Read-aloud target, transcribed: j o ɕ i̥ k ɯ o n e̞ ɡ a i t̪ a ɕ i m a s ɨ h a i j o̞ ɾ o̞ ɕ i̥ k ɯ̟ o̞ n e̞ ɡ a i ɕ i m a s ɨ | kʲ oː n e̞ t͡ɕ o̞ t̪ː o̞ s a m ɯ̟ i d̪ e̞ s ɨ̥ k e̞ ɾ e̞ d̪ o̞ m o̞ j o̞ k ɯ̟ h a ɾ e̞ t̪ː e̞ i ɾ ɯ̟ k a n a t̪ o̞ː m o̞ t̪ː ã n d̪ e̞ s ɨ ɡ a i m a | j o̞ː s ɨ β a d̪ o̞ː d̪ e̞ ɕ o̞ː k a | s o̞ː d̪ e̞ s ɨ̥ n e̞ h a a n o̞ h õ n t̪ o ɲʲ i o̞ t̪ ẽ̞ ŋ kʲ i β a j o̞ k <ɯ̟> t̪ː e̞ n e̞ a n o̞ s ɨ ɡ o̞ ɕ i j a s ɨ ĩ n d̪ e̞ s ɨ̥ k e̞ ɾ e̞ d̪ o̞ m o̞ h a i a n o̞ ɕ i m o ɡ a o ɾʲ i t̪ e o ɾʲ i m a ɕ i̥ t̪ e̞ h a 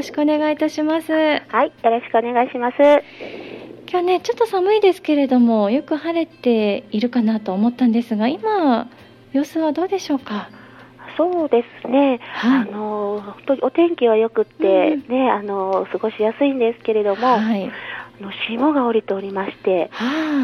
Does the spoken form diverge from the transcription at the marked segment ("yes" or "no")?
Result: no